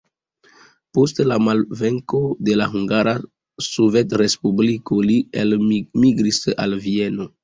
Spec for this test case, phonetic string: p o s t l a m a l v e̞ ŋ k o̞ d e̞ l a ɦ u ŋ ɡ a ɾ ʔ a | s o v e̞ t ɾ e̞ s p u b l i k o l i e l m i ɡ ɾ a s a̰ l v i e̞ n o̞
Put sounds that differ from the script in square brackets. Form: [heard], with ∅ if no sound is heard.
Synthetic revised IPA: p o s t l a m a l v e̞ ŋ k o̞ d e̞ l a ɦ u ŋ ɡ a ɾ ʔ a | s o v e̞ t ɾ e̞ s p u b l i k o l i e l m i ɡ ɾ [i] s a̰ l v i e̞ n o̞